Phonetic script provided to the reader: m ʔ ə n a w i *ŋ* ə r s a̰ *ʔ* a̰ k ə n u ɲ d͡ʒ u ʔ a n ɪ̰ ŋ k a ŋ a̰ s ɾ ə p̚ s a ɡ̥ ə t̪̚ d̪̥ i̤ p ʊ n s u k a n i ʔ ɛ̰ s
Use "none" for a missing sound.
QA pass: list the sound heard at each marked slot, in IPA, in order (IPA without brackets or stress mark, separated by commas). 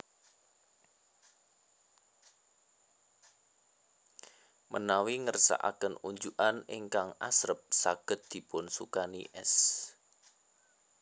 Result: ŋ, ʔ